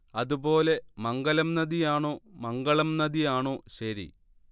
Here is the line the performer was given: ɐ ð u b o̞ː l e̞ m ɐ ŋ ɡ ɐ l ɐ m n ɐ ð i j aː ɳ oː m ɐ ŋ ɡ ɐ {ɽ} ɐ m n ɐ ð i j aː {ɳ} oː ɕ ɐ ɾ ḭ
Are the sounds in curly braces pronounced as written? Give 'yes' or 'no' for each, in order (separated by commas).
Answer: no, yes